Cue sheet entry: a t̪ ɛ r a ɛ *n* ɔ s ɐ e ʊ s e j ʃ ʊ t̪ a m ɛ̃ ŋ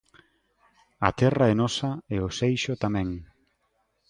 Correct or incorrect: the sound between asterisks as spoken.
correct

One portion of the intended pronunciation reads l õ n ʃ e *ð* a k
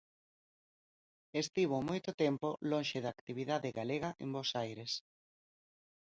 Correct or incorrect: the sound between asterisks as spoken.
correct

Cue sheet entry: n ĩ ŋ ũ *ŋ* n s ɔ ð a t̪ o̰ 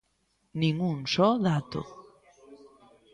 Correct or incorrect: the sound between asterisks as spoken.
incorrect: none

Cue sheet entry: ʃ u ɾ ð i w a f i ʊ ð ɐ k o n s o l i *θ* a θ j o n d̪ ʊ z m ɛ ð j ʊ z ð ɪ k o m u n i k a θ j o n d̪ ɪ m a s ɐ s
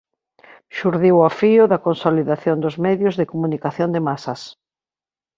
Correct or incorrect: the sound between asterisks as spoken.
incorrect: ð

